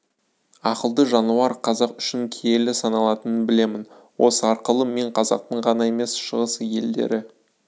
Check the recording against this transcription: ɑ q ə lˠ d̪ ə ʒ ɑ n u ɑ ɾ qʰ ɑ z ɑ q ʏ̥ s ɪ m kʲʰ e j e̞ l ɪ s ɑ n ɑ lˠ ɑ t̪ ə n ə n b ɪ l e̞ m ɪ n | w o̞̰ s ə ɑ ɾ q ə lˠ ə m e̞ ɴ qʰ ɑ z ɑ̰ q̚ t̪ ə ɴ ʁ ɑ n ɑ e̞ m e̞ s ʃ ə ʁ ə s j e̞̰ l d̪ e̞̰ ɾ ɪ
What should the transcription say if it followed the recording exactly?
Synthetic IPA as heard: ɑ q ə lˠ d̪ ə ʒ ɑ n u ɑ ɾ qʰ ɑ z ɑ q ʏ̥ ʃ ɪ ŋ kʲʰ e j e̞ l ɪ s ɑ n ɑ lˠ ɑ t̪ ə n ə n b ɪ l e̞ m ɪ n | w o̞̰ s ə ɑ ɾ q ə lˠ ə m e̞ ɴ qʰ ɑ z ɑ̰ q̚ t̪ ə ɴ ʁ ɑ n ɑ e̞ m e̞ s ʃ ə ʁ ə s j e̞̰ l d̪ e̞̰ ɾ ɪ